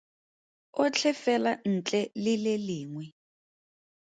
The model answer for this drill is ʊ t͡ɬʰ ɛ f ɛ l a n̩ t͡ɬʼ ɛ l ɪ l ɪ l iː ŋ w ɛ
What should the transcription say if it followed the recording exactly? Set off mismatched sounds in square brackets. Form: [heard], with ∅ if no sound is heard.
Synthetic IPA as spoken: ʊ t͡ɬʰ ɛ f ɛ l a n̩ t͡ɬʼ ɛ l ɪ l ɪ l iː ŋ w ɛ